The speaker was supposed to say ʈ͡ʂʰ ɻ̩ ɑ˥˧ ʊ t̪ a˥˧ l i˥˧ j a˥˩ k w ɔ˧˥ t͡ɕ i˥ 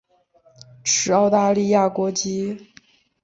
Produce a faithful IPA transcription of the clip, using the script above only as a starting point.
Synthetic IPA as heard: ʈ͡ʂʰ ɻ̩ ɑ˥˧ ʊ t̪ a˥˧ l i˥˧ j a˥˩ k w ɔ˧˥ t͡ɕ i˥